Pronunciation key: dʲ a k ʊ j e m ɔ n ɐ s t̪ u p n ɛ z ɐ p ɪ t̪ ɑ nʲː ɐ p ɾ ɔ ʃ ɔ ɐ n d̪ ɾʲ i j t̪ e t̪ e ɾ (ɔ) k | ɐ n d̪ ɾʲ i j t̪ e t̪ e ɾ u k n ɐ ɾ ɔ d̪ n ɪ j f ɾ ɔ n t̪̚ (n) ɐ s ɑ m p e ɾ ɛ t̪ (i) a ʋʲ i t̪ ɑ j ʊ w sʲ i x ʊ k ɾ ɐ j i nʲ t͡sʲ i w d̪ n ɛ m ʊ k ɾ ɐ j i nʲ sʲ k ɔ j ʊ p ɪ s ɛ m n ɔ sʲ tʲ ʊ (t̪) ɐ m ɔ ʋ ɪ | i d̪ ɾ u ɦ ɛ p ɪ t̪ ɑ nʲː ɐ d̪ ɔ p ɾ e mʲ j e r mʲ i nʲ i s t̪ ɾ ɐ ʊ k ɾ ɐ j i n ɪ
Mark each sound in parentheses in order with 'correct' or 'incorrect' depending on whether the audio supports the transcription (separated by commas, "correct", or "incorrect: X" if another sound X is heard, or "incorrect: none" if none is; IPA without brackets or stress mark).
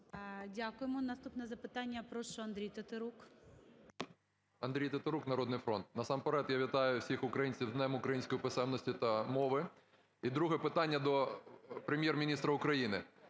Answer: incorrect: u, correct, incorrect: j, correct